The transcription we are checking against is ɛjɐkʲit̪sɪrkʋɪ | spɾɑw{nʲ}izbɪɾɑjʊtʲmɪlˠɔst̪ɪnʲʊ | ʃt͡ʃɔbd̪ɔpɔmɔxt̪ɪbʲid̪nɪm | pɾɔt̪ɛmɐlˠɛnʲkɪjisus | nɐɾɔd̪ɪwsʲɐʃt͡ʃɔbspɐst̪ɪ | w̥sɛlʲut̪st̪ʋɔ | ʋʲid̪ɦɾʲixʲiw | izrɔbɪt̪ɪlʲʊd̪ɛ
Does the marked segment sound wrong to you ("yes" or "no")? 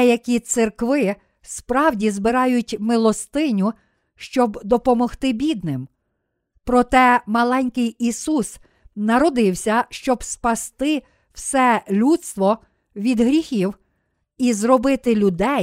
yes